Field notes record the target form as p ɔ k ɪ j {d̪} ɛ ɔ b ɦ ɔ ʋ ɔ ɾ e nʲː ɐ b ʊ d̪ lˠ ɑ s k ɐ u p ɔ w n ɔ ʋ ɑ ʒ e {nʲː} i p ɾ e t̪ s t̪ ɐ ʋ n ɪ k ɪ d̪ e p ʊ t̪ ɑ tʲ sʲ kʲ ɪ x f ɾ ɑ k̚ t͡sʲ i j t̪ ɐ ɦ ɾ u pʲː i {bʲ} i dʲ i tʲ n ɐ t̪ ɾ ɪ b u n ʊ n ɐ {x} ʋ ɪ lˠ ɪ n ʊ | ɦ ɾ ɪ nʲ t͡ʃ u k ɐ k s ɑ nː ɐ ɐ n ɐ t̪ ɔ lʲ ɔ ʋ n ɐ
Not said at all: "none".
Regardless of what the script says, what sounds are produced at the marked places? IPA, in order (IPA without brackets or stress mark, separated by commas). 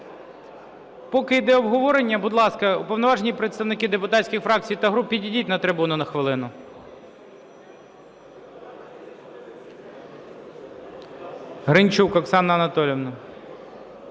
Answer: d̪, nʲ, dʲ, x